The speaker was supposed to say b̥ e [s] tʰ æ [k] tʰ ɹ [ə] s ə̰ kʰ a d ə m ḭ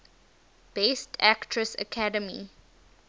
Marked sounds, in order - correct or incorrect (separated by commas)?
correct, correct, correct